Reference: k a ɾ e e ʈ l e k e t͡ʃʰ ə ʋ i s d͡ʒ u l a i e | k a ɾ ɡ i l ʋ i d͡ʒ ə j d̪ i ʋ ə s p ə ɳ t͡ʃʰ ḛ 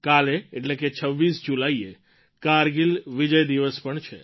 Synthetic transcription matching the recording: k a l e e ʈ l e k e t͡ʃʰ ə ʋː i s d͡ʒ u l a i e | k a ɾ ɡ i l ʋ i d͡ʒ ə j d̪ i ʋ ə s p ə ɳ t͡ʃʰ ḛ